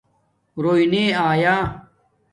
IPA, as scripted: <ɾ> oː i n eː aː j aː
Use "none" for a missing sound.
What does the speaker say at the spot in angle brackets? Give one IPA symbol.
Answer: ɾ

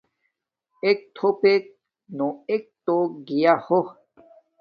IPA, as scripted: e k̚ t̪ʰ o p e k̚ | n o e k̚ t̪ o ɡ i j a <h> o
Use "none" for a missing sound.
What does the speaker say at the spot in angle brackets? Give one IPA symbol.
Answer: h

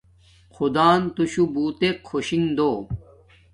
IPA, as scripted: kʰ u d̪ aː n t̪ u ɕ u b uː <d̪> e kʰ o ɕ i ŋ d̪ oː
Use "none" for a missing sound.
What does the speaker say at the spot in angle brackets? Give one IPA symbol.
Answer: t̪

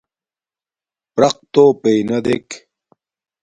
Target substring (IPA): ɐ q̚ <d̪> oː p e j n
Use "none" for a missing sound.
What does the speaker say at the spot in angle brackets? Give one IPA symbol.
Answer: t̪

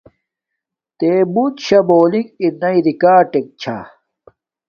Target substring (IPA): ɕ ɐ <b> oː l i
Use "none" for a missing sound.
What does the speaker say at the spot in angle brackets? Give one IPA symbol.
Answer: b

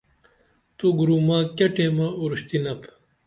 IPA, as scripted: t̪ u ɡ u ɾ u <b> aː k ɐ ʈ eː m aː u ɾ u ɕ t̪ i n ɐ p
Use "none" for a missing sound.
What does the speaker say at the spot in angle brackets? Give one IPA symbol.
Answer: m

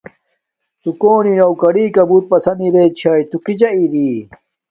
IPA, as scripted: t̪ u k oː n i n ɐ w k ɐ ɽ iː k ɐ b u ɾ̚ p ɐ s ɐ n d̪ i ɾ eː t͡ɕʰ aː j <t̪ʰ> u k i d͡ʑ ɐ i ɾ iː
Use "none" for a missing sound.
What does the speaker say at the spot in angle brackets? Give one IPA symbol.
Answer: t̪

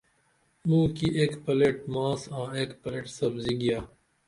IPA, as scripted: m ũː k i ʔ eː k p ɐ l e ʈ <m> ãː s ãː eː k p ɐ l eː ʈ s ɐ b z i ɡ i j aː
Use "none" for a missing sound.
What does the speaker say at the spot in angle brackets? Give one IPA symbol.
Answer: m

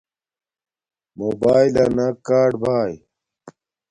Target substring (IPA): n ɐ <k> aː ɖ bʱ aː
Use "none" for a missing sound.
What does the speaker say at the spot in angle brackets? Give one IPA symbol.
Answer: k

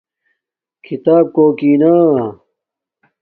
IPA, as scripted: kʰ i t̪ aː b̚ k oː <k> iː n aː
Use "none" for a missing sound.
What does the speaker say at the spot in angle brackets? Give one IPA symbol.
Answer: k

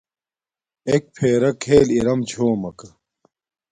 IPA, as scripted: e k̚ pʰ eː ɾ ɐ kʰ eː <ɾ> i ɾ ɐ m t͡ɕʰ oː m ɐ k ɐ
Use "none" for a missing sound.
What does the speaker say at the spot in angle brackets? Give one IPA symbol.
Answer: l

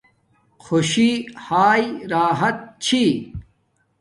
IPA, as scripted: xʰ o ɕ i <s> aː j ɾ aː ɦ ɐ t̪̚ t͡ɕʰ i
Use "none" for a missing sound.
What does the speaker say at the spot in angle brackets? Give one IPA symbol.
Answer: h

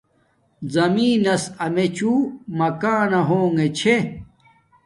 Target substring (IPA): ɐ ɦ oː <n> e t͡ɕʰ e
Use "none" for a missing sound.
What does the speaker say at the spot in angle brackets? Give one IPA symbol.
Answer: ŋ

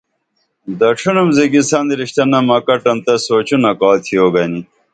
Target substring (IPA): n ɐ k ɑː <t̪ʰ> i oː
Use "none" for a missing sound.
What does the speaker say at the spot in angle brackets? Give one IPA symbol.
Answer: t̪ʰ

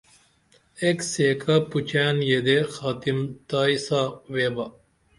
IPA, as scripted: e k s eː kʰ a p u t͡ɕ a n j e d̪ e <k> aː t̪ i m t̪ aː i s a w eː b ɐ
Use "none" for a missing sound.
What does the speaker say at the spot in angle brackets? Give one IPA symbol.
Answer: x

